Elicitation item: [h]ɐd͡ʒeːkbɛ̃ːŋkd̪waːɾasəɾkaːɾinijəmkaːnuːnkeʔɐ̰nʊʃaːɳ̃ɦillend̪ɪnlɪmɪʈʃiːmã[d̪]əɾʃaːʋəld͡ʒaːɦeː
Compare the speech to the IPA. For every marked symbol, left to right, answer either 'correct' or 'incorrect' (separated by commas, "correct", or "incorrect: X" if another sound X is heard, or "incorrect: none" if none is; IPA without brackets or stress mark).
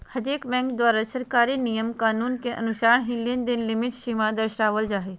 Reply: correct, correct